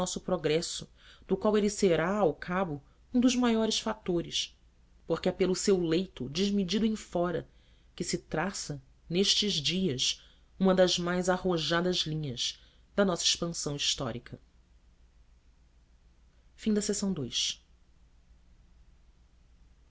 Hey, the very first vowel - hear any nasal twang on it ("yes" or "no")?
no